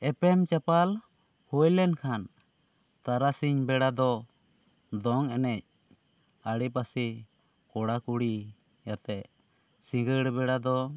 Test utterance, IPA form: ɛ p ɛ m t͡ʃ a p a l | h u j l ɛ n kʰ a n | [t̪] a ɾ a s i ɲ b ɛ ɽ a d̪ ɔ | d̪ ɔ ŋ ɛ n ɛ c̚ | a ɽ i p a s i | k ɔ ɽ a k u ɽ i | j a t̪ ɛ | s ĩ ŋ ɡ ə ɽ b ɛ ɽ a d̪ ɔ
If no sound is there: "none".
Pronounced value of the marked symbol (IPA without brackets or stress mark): t̪